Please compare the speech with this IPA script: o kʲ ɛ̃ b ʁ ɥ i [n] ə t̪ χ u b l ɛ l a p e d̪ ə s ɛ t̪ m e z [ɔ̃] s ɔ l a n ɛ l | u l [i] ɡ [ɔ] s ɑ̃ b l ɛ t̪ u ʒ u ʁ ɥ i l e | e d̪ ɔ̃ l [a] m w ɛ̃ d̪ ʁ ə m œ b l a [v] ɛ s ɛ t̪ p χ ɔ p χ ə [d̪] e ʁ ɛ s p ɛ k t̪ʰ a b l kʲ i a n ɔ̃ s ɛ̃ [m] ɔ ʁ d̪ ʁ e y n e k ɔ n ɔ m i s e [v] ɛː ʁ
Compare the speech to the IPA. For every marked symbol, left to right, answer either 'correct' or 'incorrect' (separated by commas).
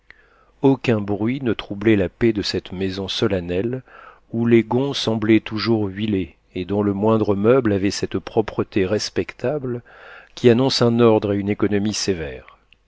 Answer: correct, correct, incorrect, incorrect, incorrect, correct, incorrect, incorrect, correct